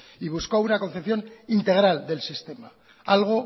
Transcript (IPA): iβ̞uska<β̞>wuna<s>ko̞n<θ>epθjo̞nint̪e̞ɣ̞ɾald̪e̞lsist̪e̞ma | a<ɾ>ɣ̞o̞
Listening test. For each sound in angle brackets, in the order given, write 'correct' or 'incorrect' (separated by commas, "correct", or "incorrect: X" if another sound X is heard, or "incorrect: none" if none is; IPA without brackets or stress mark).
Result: incorrect: none, incorrect: none, correct, incorrect: l